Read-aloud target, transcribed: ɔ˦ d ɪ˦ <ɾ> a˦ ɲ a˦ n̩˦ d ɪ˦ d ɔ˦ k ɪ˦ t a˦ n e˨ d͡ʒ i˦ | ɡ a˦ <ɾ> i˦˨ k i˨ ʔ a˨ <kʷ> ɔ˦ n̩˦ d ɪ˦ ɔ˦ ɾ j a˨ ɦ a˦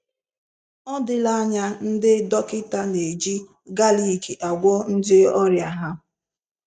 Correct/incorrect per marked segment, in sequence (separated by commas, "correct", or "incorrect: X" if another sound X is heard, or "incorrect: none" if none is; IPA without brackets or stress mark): incorrect: l, incorrect: l, incorrect: ɡʷ